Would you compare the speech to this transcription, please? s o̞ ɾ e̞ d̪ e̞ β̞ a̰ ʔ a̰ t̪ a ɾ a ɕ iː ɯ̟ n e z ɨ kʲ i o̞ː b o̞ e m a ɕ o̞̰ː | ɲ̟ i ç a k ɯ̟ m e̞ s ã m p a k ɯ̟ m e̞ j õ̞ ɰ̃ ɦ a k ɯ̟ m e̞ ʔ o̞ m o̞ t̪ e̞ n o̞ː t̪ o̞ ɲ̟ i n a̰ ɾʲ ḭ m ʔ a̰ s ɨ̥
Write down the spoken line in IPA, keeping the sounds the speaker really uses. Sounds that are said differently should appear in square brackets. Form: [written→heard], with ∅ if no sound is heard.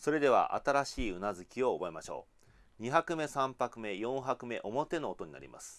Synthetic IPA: s o̞ ɾ e̞ d̪ e̞ β̞ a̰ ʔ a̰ t̪ a ɾ a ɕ iː ɯ̟ n [e→a] z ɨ kʲ i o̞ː b o̞ e m a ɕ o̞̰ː | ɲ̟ i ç a k ɯ̟ m e̞ s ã m p a k ɯ̟ m e̞ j õ̞ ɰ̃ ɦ a k ɯ̟ m e̞ ʔ o̞ m o̞ t̪ e̞ n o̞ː t̪ o̞ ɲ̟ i n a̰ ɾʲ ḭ m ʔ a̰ s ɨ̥